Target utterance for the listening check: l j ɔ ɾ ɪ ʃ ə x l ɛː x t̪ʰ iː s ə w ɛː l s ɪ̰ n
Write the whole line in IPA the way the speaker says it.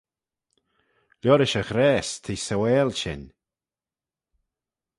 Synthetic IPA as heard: l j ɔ ɾ ɪ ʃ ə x ɾ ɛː s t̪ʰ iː s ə w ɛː l ʃ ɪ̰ n